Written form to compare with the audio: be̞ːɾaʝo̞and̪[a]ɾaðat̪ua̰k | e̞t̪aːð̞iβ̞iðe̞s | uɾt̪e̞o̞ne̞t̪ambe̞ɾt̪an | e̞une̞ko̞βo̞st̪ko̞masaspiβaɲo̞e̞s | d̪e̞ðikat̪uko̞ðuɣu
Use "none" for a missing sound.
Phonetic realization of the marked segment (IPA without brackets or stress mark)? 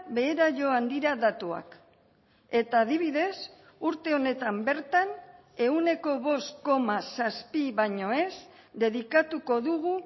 i